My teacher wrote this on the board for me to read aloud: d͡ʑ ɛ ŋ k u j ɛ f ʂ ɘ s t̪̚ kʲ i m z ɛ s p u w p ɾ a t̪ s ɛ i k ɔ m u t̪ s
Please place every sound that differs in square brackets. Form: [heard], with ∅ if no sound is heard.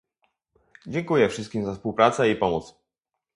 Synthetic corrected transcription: d͡ʑ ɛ ŋ k u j ɛ f ʂ ɘ s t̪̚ kʲ i m z [a] s p u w p ɾ a t̪ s ɛ i [p] ɔ m [ɔ] t̪ s

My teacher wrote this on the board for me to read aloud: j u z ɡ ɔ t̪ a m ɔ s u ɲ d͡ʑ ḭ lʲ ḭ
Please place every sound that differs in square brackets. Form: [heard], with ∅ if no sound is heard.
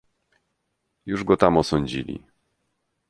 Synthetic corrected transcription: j u [ʐ] ɡ ɔ t̪ a m ɔ s [ɔ] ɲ d͡ʑ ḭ lʲ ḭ

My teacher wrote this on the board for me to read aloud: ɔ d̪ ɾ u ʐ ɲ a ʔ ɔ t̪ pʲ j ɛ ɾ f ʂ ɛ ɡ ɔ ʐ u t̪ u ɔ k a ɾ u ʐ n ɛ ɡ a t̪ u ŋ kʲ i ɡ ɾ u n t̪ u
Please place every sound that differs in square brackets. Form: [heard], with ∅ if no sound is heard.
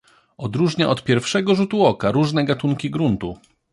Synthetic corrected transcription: ɔ d̪ ɾ u ʐ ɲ a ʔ ɔ t̪ pʲ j ɛ ɾ f ʂ ɛ ɡ ɔ ʐ u t̪ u ɔ k a ɾ u ʐ n ɛ ɡ a t̪ u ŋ kʲ i ɡ ɾ u n t̪ u

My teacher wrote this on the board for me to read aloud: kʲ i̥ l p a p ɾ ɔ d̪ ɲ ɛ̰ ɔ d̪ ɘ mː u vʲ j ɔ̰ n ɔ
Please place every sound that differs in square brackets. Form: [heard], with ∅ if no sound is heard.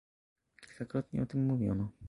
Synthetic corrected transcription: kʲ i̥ l [k] a [k] ɾ ɔ [t̪] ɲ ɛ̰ ɔ [t̪] ɘ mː u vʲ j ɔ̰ n ɔ

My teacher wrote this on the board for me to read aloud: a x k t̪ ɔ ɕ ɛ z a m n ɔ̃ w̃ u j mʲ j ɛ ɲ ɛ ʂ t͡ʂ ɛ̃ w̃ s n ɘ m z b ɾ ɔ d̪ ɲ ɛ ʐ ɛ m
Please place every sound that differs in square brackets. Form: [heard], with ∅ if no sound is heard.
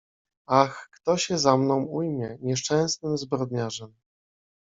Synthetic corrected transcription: a x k t̪ ɔ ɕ ɛ z a m n ɔ̃ w̃ u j mʲ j ɛ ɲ ɛ ʂ t͡ʂ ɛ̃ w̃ s n ɘ m z b ɾ ɔ d̪ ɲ [a] ʐ ɛ m

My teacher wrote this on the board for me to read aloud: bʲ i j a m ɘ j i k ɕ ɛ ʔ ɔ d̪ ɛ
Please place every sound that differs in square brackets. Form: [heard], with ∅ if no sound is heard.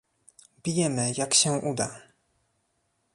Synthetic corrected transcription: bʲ i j [ɛ] m ɘ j [a] k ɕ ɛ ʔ [u] d̪ [a]

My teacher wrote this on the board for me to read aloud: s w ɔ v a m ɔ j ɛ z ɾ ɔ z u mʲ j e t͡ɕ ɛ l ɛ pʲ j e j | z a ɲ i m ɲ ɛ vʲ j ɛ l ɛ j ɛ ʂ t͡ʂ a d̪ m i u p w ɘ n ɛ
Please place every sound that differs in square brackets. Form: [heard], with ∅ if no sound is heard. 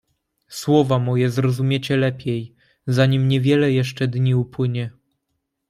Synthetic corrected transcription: s w ɔ v a m ɔ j ɛ z ɾ ɔ z u mʲ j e t͡ɕ ɛ l ɛ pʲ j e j | z a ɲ i m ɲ ɛ vʲ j ɛ l ɛ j ɛ ʂ t͡ʂ [ɛ] d̪ [ɲ] i u p w ɘ [ɲ] ɛ

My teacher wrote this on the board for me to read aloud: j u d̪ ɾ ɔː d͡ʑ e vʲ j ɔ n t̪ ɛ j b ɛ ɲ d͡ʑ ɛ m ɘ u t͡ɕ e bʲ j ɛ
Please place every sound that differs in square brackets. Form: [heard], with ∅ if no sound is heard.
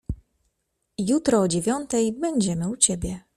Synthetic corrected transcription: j u [t̪] ɾ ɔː d͡ʑ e vʲ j ɔ n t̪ ɛ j b ɛ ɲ d͡ʑ ɛ m ɘ u t͡ɕ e bʲ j ɛ

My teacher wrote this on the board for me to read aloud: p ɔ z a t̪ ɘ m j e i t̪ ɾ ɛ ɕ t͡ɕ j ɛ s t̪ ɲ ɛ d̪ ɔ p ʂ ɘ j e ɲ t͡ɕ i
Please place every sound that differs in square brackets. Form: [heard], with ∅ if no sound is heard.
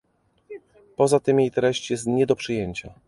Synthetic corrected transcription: p ɔ z a t̪ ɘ m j e [j] t̪ ɾ ɛ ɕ t͡ɕ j ɛ s t̪ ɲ ɛ d̪ ɔ p ʂ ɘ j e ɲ t͡ɕ [a]

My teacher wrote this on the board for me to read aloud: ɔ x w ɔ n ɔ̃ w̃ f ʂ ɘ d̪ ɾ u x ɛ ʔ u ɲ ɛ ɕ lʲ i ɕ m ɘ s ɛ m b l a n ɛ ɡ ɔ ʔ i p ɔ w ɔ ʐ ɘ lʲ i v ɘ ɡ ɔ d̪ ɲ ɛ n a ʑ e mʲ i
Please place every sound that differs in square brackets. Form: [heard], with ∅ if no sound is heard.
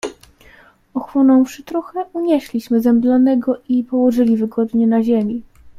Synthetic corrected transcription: ɔ x w ɔ n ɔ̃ w̃ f ʂ ɘ [t̪] ɾ u x ɛ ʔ u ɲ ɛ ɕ lʲ i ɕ m ɘ [z] ɛ m b l a n ɛ ɡ ɔ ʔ i p ɔ w ɔ ʐ ɘ lʲ i v ɘ ɡ ɔ d̪ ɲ ɛ n a ʑ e mʲ i

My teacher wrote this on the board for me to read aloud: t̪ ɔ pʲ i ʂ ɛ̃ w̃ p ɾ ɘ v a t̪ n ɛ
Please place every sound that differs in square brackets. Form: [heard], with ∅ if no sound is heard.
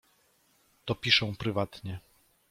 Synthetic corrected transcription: t̪ ɔ pʲ i ʂ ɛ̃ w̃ p ɾ ɘ v a t̪ [ɲ] ɛ

